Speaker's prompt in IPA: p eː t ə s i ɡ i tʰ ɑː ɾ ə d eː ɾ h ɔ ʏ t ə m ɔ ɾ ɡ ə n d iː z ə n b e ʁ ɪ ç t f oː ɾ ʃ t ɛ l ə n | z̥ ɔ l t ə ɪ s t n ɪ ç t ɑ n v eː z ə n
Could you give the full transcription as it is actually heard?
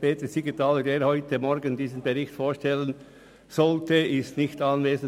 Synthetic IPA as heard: p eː t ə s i ɡ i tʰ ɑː l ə d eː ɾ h ɔ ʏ t ə m ɔ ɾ ɡ ə n d iː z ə n b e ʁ ɪ ç t f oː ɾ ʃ t ɛ l ə n | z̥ ɔ l t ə ɪ s t n ɪ ç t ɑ n v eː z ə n